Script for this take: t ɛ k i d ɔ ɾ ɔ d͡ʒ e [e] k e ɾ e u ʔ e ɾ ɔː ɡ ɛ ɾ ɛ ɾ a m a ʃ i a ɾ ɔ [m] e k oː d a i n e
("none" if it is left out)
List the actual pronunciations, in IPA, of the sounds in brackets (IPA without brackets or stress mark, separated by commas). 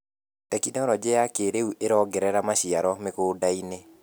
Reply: a, m